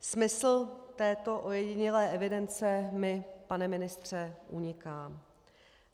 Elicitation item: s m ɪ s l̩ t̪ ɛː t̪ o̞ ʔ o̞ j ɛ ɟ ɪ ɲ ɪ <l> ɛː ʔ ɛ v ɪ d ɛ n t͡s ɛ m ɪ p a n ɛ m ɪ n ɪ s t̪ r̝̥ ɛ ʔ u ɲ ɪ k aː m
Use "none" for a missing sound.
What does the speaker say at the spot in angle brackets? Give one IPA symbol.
l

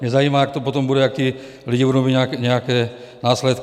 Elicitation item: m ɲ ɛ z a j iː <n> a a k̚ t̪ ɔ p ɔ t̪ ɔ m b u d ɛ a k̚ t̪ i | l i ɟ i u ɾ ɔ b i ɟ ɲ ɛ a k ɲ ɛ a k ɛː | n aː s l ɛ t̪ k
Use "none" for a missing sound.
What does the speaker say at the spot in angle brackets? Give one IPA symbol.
m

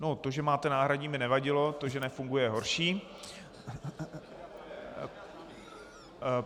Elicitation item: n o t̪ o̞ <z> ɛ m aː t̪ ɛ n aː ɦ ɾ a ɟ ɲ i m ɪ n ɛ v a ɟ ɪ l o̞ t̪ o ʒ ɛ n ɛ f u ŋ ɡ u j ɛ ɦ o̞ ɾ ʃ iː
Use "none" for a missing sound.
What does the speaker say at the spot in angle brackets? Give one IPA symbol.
ʒ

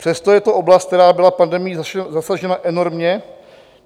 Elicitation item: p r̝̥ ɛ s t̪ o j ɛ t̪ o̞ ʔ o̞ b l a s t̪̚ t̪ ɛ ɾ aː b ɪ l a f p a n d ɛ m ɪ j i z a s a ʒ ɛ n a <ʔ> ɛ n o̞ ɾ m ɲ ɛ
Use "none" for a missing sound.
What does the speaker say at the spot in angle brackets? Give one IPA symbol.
ʔ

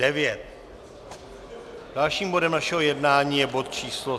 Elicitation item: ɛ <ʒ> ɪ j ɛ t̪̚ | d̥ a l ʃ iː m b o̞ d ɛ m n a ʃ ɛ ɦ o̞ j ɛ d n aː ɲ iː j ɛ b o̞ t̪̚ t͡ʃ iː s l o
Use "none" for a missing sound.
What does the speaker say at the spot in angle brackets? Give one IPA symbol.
v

